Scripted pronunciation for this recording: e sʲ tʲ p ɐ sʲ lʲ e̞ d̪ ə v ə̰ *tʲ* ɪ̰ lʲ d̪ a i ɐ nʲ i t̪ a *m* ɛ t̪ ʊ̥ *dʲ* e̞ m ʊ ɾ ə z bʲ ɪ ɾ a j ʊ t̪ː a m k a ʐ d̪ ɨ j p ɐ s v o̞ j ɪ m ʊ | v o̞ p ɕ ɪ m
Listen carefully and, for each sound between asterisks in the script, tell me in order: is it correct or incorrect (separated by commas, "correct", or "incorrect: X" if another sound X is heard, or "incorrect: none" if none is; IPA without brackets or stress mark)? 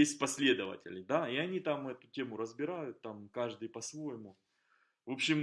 correct, correct, incorrect: tʲ